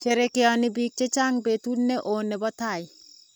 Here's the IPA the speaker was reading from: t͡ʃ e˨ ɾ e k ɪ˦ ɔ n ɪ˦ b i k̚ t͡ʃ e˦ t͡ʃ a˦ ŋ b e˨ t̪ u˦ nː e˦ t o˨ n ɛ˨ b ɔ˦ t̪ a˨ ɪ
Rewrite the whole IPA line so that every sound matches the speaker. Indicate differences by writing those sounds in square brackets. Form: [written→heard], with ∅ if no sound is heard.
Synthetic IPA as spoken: t͡ʃ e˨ ɾ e k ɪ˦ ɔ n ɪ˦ b i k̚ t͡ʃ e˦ t͡ʃ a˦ ŋ b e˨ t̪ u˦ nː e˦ [t→ʔ] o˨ n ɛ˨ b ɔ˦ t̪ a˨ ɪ

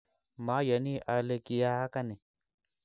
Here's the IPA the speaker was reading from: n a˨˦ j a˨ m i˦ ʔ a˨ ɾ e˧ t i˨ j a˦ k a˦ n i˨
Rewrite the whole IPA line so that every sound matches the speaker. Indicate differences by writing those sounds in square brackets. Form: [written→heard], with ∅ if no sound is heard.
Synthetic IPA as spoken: [n→m] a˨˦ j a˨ [m→n] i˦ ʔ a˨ [ɾ→l] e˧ [t→k] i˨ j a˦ k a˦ n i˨

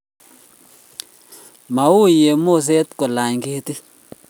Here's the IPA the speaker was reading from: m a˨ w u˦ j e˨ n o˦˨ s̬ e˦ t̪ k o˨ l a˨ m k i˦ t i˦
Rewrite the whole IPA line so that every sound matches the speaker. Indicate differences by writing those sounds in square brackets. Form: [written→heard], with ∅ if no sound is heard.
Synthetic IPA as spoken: m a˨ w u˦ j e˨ [n→m] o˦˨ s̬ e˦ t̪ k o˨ l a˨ [m→ɲ] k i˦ t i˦

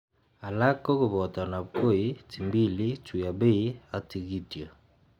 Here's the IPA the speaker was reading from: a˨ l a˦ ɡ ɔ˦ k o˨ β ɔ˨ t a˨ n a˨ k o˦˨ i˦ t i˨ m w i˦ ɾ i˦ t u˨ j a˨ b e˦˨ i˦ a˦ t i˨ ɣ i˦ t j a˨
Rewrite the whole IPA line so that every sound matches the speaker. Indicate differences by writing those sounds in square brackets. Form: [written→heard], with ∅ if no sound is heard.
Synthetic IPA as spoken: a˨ l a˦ [ɡ→k] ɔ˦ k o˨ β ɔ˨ t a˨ n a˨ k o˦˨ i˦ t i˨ m [w→b] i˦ [ɾ→l] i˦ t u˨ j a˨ b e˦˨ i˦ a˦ t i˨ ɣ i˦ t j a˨

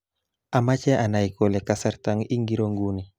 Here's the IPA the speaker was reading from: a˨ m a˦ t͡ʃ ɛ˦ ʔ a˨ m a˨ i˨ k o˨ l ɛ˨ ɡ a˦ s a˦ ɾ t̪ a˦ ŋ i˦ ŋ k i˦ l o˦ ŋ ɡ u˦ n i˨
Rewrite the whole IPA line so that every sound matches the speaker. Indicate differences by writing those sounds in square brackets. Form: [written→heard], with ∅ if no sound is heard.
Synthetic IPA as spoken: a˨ m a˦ t͡ʃ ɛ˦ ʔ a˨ [m→n] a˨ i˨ k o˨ l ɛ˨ [ɡ→k] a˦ s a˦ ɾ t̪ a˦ ŋ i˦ ŋ [k→ɡ] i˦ [l→ɾ] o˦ ŋ ɡ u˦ n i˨

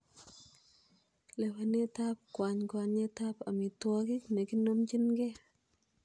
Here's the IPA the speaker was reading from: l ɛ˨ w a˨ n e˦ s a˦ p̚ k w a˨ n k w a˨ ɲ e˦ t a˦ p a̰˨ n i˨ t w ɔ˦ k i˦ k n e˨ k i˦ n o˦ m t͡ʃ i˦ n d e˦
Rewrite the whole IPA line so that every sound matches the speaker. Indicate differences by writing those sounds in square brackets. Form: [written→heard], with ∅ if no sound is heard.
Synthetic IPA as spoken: l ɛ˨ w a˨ n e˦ [s→t] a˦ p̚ k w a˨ [n→ɲ] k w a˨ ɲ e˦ t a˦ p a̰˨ [n→m] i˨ t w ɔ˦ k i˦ k n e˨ k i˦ n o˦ m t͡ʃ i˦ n [d→ɡ] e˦

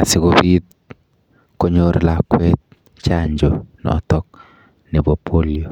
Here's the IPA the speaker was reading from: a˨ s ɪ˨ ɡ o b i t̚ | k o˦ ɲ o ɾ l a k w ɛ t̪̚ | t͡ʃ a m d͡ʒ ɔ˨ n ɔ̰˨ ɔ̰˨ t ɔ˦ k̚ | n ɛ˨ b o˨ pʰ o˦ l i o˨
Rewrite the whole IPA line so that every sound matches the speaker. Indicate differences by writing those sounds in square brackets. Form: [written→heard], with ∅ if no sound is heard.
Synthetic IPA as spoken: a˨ s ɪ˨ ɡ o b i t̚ | k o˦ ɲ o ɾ l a k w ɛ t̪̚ | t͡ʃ a [m→ɲ] d͡ʒ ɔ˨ n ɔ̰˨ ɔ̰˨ t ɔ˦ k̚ | n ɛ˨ b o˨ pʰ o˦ l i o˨

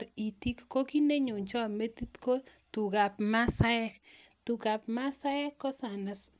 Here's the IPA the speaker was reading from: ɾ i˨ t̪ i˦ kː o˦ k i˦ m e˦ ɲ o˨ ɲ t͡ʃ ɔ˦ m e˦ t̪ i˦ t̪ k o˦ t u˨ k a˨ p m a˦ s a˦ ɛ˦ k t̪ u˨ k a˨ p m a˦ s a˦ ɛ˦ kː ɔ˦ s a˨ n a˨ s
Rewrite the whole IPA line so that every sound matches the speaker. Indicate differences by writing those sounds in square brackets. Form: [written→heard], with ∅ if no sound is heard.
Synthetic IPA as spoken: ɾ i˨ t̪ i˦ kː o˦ k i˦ [m→n] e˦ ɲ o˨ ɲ t͡ʃ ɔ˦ m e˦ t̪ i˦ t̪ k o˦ t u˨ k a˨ p m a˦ s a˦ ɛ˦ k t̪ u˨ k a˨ p m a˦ s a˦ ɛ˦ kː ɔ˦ s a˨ n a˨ s

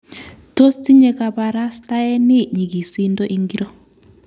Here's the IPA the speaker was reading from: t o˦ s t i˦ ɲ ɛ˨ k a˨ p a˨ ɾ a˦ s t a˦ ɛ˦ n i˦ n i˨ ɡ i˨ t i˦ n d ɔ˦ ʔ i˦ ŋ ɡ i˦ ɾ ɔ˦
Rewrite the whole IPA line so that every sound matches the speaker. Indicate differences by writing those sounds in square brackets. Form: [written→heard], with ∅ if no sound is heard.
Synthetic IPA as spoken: t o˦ s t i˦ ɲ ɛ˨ k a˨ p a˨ ɾ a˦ s t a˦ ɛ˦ n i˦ [n→ɲ] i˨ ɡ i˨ [t→s] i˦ n d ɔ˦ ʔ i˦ ŋ ɡ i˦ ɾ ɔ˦

